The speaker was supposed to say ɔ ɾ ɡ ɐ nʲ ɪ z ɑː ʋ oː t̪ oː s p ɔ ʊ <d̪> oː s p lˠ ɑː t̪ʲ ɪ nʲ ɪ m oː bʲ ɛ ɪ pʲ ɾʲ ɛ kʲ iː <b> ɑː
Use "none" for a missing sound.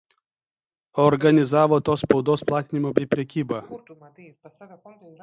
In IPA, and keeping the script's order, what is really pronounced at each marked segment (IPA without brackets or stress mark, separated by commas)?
d̪, b